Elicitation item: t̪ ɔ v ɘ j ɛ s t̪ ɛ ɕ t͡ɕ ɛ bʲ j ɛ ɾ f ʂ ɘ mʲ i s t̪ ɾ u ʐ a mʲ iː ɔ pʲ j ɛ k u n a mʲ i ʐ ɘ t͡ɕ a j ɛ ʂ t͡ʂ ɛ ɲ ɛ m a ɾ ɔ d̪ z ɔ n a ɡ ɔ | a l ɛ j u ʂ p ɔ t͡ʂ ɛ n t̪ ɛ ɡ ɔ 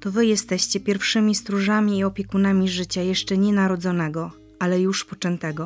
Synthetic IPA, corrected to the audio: t̪ ɔ v ɘ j ɛ s t̪ ɛ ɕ t͡ɕ ɛ pʲ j ɛ ɾ f ʂ ɘ mʲ i s t̪ ɾ u ʐ a mʲ iː ɔ pʲ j ɛ k u n a mʲ i ʐ ɘ t͡ɕ a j ɛ ʂ t͡ʂ ɛ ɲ ɛ n a ɾ ɔ d̪ z ɔ n ɛ ɡ ɔ | a l ɛ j u ʂ p ɔ t͡ʂ ɛ n t̪ ɛ ɡ ɔ